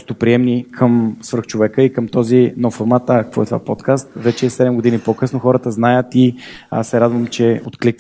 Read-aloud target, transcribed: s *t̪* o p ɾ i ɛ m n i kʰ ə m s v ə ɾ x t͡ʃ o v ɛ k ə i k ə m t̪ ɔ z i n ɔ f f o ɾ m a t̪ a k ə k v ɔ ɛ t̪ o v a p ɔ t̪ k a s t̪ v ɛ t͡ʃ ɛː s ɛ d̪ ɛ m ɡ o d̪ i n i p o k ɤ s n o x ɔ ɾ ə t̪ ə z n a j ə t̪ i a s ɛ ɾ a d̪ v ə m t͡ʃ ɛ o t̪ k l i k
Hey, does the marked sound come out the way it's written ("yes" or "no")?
yes